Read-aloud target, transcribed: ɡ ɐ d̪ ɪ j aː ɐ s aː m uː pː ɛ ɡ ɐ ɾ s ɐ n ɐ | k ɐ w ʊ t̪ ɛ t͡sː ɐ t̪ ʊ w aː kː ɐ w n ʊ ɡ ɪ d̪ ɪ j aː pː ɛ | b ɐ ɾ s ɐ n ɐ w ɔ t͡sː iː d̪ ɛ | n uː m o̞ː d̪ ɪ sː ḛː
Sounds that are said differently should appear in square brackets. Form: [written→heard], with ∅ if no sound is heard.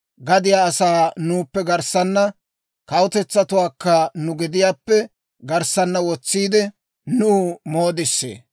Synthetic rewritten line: ɡ ɐ d̪ ɪ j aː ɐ s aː [m→n] uː pː ɛ ɡ ɐ ɾ s ɐ [n→nː] ɐ | k ɐ w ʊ t̪ ɛ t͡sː ɐ t̪ ʊ w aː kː ɐ [w→∅] n ʊ ɡ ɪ d̪ ɪ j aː pː ɛ | [b→ɡ] ɐ ɾ s ɐ [n→nː] ɐ w ɔ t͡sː iː d̪ ɛ | n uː m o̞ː d̪ ɪ sː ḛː

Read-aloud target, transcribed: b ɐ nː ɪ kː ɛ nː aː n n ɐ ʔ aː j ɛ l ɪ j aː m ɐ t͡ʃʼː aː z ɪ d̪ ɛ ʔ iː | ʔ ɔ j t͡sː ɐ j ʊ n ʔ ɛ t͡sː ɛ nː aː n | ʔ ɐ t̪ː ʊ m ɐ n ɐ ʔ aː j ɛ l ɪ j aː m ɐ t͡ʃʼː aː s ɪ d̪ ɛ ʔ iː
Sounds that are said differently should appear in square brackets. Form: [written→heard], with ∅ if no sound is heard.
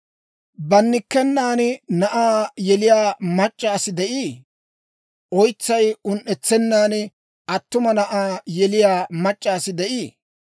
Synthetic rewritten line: b ɐ nː ɪ kː ɛ nː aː n n ɐ ʔ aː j ɛ l ɪ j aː m ɐ t͡ʃʼː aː [z→s] ɪ d̪ ɛ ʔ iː | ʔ ɔ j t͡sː ɐ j ʊ n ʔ ɛ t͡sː ɛ nː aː n | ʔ ɐ t̪ː ʊ m ɐ n ɐ ʔ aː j ɛ l ɪ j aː m ɐ t͡ʃʼː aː s ɪ d̪ ɛ ʔ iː

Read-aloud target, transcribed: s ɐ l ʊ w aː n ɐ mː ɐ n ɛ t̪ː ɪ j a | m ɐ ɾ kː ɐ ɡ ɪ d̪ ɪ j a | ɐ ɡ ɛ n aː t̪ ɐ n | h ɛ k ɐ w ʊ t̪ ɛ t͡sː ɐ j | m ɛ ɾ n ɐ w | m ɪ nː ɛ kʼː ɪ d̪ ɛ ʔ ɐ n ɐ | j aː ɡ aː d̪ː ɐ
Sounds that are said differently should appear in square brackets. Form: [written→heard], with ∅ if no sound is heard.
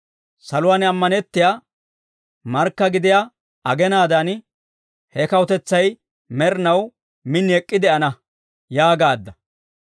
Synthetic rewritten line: s ɐ l ʊ w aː n ɐ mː ɐ n ɛ t̪ː ɪ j a | m ɐ ɾ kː ɐ ɡ ɪ d̪ ɪ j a | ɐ ɡ ɛ n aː [t̪→d̪] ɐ n | h ɛ k ɐ w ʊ t̪ ɛ t͡sː ɐ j | m ɛ ɾ n ɐ w | m ɪ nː ɛ kʼː ɪ d̪ ɛ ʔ ɐ n ɐ | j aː ɡ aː d̪ː ɐ

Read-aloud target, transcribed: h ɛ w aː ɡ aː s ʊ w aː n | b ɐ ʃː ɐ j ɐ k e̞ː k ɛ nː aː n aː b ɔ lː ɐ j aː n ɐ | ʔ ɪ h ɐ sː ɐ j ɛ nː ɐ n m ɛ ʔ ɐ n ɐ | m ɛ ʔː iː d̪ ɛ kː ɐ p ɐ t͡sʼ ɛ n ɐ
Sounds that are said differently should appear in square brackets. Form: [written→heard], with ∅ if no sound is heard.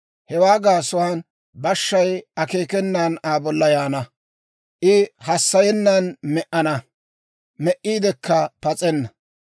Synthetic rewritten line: h ɛ w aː ɡ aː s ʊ w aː n | b ɐ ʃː ɐ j ɐ k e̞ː k ɛ nː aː n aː b ɔ lː ɐ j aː n ɐ | ʔ ɪ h ɐ sː ɐ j ɛ nː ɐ n m ɛ ʔ ɐ n ɐ | m ɛ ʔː iː d̪ ɛ kː ɐ p ɐ t͡sʼ ɛ [n→nː] ɐ

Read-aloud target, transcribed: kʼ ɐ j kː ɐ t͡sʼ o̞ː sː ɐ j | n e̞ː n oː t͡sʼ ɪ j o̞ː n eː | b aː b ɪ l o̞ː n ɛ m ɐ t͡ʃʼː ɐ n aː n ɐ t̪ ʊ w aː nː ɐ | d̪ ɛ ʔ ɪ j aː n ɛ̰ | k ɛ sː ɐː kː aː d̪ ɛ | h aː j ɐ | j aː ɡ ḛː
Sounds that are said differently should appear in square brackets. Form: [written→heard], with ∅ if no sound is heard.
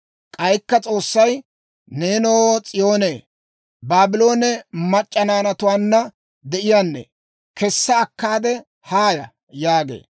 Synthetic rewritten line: kʼ ɐ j kː ɐ t͡sʼ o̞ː sː ɐ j | n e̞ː n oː t͡sʼ ɪ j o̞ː n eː | b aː b ɪ l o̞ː n ɛ m ɐ t͡ʃʼː ɐ n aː n ɐ t̪ ʊ w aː nː ɐ | d̪ ɛ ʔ ɪ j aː [n→nː] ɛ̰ | k ɛ sː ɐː kː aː d̪ ɛ | h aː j ɐ | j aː ɡ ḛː

